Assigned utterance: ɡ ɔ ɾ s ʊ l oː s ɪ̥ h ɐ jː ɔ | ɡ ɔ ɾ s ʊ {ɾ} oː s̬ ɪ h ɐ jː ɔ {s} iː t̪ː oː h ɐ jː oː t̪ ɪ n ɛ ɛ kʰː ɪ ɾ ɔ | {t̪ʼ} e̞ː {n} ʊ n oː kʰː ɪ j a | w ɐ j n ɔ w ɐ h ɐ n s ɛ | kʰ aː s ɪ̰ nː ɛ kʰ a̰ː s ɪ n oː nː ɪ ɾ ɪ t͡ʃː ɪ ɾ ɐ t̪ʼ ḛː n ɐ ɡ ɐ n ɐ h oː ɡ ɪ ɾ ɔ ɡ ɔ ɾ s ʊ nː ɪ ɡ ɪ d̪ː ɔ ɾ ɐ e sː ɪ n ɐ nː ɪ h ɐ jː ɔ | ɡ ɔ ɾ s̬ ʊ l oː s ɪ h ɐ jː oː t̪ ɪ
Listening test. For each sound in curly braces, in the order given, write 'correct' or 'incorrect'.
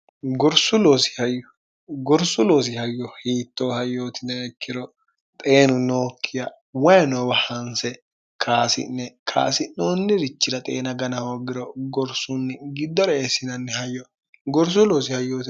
incorrect: l, incorrect: h, correct, correct

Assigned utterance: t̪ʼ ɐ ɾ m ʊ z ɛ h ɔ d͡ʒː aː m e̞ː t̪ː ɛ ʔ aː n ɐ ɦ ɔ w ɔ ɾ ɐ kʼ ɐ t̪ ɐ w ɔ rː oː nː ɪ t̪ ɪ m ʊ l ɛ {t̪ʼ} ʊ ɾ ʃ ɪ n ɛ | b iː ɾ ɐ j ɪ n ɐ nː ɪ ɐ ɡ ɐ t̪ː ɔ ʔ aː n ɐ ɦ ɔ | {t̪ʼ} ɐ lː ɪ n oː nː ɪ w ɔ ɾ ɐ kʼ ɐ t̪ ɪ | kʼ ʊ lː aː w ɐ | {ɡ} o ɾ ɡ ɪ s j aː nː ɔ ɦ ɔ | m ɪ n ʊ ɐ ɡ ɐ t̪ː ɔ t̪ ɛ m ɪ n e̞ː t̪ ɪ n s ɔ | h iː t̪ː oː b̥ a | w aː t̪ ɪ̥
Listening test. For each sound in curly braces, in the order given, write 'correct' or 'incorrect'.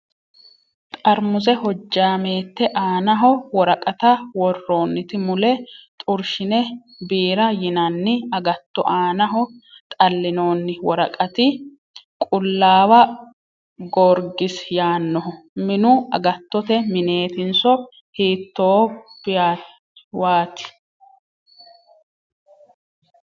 correct, correct, correct

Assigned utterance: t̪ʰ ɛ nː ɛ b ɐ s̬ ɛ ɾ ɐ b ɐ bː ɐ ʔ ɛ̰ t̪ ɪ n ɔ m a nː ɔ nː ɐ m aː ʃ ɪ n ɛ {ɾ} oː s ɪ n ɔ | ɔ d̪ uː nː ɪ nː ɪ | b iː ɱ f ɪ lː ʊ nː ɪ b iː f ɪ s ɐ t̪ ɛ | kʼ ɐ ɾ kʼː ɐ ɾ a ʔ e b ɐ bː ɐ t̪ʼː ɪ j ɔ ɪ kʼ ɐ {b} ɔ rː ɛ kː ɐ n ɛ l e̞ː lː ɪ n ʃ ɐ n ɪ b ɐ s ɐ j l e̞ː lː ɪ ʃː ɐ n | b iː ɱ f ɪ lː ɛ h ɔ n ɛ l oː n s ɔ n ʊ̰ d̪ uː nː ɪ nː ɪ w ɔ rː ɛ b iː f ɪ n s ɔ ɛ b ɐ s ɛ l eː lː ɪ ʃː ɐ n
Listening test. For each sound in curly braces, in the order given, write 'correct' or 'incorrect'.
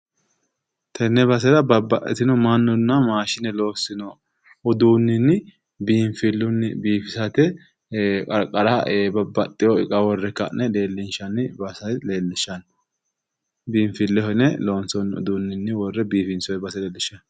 incorrect: l, incorrect: w

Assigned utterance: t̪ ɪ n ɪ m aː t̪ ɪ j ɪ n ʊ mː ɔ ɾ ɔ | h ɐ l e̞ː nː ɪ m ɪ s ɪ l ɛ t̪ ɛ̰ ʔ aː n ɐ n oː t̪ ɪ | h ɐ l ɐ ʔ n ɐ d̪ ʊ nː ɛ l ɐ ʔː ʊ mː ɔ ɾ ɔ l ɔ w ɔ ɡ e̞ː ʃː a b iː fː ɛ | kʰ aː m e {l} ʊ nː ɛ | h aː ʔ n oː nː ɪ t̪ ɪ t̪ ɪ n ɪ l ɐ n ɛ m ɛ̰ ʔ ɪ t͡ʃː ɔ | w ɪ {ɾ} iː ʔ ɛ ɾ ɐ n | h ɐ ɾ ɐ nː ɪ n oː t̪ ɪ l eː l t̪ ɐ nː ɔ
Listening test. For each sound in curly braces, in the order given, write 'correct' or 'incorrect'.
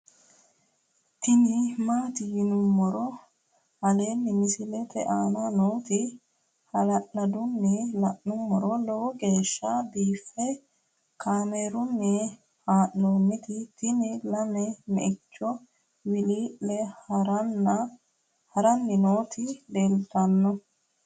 incorrect: ɾ, incorrect: l

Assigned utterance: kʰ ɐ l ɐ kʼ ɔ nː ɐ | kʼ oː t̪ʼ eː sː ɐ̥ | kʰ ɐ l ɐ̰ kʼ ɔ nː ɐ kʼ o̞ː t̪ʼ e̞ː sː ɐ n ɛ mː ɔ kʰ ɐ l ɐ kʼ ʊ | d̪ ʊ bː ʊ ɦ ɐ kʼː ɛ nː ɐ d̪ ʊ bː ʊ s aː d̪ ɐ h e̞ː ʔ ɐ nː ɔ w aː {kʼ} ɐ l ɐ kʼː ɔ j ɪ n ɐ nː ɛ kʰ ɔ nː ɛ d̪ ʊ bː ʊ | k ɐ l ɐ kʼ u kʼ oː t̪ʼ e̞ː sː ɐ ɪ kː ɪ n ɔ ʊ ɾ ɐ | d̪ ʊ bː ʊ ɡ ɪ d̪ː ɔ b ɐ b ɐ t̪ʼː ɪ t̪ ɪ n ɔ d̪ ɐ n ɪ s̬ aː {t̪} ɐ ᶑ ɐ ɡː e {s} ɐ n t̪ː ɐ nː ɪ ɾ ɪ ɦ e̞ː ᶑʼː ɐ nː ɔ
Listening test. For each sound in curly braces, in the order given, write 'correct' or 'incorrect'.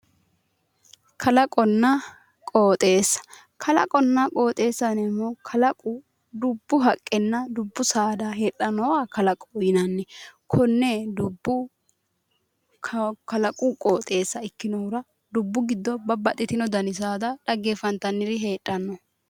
incorrect: k, incorrect: d̪, incorrect: f

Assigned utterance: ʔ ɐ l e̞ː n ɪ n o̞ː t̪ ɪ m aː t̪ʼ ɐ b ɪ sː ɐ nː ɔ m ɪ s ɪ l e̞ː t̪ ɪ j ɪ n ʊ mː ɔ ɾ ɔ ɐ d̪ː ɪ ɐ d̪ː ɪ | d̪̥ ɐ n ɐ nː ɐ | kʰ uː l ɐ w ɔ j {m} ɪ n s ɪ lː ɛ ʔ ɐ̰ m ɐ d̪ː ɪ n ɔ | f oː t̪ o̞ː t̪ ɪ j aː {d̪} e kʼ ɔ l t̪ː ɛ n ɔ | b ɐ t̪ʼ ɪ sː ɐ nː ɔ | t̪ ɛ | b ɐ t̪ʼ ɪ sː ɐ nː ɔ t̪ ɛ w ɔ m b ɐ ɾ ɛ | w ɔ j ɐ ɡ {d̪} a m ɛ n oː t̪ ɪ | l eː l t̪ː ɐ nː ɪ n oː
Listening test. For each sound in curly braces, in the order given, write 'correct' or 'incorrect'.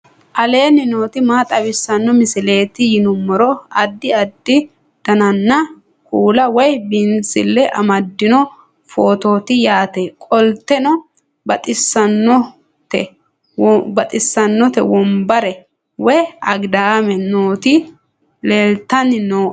incorrect: b, incorrect: t̪, correct

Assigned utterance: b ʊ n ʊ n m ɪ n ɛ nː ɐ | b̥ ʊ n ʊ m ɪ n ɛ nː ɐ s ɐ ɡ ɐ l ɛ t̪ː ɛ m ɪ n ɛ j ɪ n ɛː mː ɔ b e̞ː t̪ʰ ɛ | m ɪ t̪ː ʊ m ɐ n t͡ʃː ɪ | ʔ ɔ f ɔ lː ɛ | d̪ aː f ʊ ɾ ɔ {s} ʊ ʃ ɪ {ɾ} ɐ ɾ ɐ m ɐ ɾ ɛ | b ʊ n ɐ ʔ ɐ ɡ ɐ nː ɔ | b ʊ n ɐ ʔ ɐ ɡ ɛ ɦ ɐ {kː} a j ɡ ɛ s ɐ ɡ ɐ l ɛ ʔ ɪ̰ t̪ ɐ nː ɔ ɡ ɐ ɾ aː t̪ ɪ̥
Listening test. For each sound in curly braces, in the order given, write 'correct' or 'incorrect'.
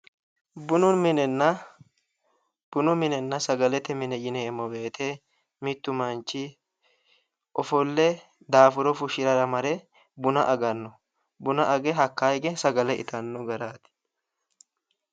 incorrect: f, correct, correct

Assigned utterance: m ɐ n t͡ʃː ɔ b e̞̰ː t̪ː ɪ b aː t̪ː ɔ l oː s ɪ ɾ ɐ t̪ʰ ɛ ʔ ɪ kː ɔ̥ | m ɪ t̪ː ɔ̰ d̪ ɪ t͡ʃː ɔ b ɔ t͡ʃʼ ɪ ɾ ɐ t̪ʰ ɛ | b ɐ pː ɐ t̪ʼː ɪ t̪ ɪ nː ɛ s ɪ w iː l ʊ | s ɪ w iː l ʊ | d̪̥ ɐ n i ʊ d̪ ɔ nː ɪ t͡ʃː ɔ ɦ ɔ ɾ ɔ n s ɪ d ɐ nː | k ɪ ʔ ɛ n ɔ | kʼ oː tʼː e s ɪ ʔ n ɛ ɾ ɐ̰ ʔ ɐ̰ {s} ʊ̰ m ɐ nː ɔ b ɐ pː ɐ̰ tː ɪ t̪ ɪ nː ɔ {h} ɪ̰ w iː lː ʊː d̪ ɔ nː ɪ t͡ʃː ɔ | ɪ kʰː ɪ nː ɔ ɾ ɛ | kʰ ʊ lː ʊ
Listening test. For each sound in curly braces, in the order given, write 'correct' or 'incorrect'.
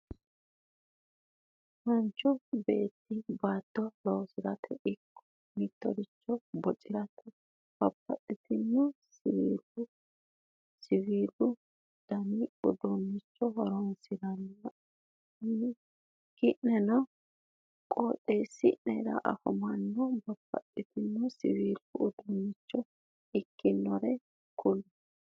incorrect: h, incorrect: s

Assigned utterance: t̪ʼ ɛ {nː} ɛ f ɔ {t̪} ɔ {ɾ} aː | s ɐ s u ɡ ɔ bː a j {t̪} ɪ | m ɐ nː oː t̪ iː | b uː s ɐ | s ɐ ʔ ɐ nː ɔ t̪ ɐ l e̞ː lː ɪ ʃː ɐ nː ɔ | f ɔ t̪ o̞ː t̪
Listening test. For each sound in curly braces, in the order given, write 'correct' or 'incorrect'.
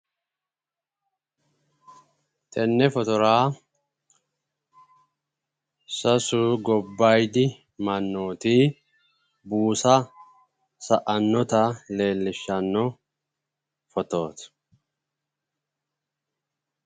correct, correct, correct, incorrect: d̪

